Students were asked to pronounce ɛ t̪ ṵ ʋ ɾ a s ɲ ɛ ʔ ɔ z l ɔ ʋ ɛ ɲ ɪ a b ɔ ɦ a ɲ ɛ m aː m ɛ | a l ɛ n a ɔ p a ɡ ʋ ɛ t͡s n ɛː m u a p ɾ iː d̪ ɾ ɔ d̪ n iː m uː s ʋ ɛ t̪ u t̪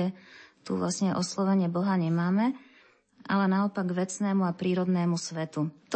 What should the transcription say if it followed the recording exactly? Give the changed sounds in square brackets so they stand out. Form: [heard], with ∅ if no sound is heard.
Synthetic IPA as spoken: ɛ t̪ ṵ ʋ [l] a s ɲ ɛ ʔ ɔ [s] l ɔ ʋ ɛ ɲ ɪ [ɛ] b ɔ ɦ a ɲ ɛ m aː m ɛ | a l ɛ n a ɔ p a ɡ ʋ ɛ t͡s n ɛː m u a p ɾ iː [∅] ɾ ɔ d̪ n [ɛː] m [u] s ʋ ɛ t̪ u t̪